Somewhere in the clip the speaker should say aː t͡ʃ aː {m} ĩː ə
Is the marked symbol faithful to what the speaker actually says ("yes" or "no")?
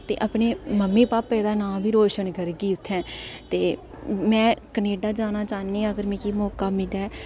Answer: no